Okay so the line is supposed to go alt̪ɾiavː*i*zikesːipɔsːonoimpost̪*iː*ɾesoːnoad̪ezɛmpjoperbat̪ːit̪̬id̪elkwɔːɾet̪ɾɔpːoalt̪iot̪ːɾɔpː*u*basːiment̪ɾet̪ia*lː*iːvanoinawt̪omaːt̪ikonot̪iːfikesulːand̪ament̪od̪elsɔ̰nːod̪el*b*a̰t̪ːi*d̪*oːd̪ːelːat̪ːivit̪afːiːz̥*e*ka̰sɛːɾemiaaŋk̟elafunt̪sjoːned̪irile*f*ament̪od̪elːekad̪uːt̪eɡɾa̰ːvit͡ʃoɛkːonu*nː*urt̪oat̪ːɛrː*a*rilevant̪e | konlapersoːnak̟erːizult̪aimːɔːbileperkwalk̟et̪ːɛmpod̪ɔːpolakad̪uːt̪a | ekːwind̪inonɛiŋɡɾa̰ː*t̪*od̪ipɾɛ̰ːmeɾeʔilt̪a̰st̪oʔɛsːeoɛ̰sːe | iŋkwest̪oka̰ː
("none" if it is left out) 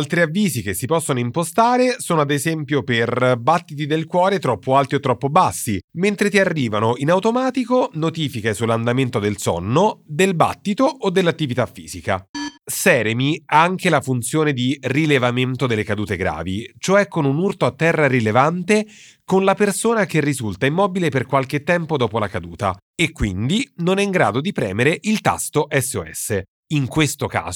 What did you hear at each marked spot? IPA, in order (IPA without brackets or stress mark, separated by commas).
iː, aː, o, rː, b, t̪, i, v, n, a, d̪